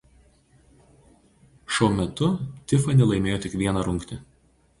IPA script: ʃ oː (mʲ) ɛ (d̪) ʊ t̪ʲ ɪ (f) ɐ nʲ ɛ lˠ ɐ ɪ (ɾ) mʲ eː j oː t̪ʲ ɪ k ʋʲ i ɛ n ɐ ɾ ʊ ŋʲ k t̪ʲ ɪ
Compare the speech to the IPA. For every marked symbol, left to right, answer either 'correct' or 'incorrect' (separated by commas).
correct, incorrect, correct, incorrect